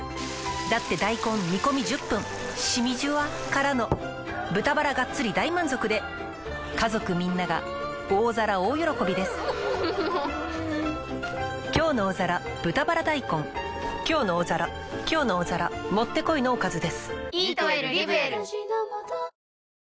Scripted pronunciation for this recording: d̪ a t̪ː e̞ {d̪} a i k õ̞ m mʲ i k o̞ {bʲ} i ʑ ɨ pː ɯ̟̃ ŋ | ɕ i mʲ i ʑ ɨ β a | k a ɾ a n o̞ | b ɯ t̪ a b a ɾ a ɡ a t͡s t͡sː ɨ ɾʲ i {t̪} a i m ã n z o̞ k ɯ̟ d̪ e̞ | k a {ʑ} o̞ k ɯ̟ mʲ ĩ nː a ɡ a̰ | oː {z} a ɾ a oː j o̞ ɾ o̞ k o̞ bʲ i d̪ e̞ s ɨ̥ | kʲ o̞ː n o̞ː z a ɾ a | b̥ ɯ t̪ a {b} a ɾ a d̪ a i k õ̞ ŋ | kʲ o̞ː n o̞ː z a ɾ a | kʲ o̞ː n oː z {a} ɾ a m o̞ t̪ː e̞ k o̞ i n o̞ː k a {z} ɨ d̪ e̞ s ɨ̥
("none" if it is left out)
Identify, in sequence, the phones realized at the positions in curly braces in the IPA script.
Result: d̪, mʲ, d̪, z, z, b, a, z

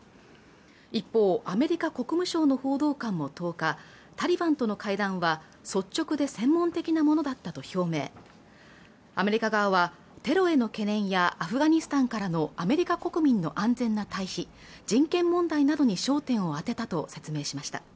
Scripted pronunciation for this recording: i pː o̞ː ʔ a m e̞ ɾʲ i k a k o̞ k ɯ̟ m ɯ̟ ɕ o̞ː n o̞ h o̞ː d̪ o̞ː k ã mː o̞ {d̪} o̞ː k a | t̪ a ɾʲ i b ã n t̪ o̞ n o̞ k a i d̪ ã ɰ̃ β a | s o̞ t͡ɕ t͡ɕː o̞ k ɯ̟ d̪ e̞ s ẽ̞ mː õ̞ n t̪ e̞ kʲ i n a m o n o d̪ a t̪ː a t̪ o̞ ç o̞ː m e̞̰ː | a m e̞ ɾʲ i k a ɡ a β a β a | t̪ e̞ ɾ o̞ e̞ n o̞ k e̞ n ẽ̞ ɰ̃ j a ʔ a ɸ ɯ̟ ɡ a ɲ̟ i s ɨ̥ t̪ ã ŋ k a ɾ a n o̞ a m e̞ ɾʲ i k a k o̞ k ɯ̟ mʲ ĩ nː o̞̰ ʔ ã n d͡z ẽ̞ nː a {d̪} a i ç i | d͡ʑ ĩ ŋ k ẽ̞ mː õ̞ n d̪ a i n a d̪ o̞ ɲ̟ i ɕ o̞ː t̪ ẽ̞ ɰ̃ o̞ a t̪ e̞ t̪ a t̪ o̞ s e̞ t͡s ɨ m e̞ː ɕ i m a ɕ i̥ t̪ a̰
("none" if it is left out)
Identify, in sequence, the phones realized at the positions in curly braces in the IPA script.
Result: t̪, t̪

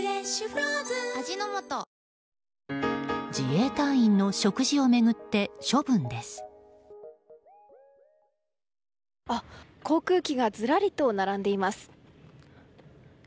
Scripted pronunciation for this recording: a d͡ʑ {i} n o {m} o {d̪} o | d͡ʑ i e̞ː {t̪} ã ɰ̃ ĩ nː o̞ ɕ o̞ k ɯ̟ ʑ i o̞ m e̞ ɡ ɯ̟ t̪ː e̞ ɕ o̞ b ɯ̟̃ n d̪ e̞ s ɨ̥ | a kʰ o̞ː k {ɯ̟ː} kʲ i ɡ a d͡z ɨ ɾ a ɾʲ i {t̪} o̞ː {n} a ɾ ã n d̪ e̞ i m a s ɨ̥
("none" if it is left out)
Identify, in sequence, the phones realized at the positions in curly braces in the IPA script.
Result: i, m, t̪, t̪, ɯ̟ː, t̪, n

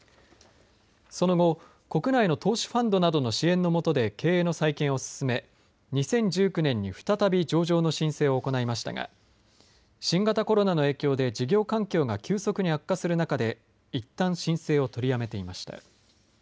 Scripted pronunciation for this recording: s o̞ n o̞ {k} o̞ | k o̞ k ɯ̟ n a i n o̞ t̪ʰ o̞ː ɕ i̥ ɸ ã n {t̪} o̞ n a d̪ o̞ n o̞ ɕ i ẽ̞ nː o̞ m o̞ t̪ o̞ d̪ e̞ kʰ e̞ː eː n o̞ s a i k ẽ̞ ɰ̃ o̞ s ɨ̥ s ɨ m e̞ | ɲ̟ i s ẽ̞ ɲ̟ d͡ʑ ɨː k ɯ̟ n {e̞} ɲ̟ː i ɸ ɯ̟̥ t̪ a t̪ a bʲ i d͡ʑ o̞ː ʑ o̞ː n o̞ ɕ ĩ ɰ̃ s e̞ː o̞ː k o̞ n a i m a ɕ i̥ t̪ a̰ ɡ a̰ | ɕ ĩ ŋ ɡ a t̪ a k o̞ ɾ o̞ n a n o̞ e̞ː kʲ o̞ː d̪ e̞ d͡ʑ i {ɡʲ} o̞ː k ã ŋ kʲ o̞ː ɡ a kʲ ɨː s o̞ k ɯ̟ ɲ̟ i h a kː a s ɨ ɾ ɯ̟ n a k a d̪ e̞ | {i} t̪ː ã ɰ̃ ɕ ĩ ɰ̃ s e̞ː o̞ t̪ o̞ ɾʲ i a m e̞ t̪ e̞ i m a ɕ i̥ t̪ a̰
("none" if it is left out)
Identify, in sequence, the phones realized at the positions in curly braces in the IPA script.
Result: ɡ, d̪, ẽ̞, ɡʲ, i

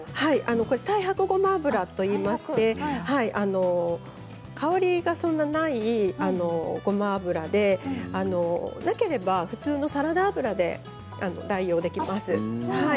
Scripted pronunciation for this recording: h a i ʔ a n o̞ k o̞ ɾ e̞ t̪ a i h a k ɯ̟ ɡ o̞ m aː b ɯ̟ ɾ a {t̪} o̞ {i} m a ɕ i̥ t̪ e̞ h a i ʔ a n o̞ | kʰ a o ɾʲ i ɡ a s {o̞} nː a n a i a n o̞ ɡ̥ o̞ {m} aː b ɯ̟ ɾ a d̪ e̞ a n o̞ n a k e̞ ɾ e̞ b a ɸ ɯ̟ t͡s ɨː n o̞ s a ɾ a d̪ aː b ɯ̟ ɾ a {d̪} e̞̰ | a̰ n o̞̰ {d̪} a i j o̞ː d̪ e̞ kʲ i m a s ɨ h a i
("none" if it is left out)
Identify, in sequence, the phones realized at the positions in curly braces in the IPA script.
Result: t̪, iː, õ̞, m, d̪, d̪

